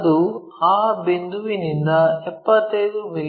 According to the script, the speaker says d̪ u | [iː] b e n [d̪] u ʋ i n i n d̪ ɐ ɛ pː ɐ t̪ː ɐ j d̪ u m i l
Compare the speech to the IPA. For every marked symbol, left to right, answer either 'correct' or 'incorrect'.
incorrect, correct

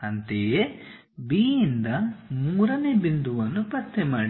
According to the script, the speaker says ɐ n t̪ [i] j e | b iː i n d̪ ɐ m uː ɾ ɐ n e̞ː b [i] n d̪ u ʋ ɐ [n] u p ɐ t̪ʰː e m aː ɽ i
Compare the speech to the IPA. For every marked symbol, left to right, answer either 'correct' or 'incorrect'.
incorrect, correct, incorrect

